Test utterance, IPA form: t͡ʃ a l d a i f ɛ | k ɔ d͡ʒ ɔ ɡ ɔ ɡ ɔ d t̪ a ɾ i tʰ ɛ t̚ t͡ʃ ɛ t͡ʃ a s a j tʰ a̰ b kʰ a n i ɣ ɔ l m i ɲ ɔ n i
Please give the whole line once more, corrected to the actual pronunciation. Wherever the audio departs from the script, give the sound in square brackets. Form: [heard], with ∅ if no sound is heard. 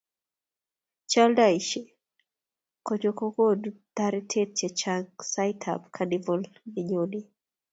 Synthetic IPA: t͡ʃ a l d a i [ʃ] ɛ | k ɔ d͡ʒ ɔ [k] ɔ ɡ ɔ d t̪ a ɾ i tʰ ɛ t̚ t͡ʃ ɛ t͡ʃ a s a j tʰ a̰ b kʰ a n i [v] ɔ l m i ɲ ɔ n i